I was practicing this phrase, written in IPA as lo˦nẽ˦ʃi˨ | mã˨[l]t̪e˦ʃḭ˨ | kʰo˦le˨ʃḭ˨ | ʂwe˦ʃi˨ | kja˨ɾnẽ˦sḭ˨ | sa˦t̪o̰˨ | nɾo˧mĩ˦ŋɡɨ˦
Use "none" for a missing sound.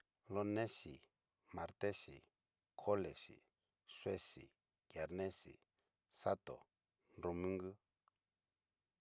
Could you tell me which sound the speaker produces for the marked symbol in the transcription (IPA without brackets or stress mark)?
ɾ